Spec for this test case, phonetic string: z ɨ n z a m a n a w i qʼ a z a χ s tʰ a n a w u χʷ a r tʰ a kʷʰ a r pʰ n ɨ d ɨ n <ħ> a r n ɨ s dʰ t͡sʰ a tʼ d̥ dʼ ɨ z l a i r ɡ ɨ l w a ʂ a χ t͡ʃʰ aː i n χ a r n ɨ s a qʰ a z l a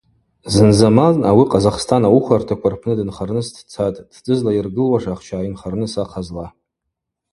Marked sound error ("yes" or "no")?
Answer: yes